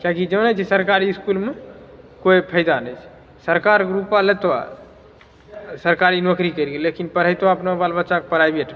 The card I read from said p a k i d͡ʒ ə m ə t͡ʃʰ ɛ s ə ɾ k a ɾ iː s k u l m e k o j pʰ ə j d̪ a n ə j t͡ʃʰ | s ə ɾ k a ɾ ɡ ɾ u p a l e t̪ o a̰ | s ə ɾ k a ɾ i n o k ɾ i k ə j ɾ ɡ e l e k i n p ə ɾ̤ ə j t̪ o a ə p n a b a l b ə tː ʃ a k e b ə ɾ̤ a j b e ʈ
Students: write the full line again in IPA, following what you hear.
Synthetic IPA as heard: k a k i d͡ʒ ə n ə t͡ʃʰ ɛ s ə ɾ k a ɾ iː s k u l m e k o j pʰ ə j d̪ a n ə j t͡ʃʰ | s ə ɾ k a ɾ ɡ ɾ u p a l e t̪ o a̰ | s ə ɾ k a ɾ i n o k ɾ i k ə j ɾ ɡ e l e k i n p ə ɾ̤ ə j t̪ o a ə p n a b a l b ə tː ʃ a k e p ə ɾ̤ a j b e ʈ

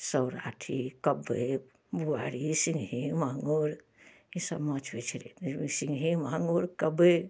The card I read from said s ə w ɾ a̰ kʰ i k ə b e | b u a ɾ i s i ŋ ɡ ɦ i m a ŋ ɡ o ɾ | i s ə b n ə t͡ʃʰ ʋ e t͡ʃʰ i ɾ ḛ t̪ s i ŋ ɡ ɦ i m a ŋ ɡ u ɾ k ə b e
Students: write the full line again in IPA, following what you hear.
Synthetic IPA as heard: s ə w ɾ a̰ ʈʰ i k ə b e | b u a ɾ i s i ŋ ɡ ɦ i m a ŋ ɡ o ɾ | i s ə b m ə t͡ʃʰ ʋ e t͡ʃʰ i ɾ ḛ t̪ s i ŋ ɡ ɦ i m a ŋ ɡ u ɾ k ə b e

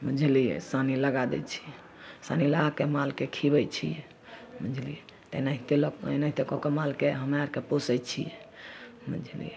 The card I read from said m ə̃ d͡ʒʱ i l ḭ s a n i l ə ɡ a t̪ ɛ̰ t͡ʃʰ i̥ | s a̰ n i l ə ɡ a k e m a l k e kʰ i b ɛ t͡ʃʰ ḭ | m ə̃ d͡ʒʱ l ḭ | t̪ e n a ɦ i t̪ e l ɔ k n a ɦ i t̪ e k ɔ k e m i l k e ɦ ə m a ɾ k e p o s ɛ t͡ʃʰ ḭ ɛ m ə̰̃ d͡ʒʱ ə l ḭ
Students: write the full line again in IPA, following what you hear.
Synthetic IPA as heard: m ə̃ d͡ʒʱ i l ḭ s a n i l ə ɡ a d̪ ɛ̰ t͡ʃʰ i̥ | s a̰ n i l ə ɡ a k e m a l k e kʰ i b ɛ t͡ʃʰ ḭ | m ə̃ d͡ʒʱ l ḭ | t̪ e n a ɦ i t̪ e l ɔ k n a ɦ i t̪ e k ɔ k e m a l k e ɦ ə m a ɾ k e p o s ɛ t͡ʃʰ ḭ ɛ m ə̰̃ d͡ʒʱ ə l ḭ

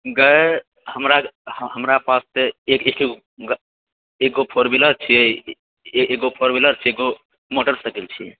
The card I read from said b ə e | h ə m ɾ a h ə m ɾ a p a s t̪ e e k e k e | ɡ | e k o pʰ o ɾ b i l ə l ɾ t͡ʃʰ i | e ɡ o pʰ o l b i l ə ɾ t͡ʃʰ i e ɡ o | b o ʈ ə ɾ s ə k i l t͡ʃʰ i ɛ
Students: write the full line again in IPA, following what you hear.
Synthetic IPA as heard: ɡ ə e | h ə m ɾ a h ə m ɾ a p a s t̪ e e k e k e | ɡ | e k o pʰ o ɾ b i l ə ɾ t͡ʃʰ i | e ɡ o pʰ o ɾ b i l ə ɾ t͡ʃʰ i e ɡ o | m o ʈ ə ɾ s ə k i l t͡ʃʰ i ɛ

